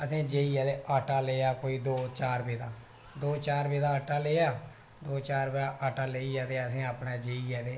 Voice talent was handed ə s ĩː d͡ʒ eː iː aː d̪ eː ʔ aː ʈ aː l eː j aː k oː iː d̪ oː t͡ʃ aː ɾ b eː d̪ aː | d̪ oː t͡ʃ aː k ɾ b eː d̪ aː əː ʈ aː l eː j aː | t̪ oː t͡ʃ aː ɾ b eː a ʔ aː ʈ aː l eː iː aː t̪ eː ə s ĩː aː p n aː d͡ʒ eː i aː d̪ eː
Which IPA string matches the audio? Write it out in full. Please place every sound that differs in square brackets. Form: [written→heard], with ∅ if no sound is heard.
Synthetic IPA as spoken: ə s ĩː d͡ʒ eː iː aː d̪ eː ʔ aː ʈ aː l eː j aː k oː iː d̪ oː t͡ʃ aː ɾ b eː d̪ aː | d̪ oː t͡ʃ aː [k→∅] ɾ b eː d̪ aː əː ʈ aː l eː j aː | [t̪→d̪] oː t͡ʃ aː ɾ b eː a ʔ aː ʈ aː l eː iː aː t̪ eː ə s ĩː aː p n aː d͡ʒ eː i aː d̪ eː